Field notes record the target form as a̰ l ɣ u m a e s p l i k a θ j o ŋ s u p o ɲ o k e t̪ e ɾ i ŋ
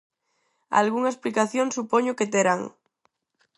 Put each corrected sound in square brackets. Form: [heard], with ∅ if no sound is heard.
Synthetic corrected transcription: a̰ l ɣ u [ŋ] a e s p l i k a θ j o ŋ s u p o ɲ o k e t̪ e ɾ [a] ŋ